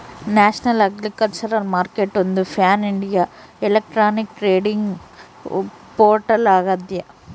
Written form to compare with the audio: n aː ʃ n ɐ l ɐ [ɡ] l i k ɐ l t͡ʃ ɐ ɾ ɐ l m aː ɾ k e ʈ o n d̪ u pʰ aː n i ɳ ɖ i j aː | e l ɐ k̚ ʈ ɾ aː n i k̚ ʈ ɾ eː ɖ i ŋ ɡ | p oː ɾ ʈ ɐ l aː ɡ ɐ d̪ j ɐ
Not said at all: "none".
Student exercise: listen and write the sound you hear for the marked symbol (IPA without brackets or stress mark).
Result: ɡ